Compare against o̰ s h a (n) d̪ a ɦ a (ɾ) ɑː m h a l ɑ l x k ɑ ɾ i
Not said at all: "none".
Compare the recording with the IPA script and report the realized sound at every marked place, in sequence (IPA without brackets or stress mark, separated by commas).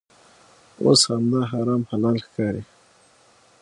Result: m, ɾ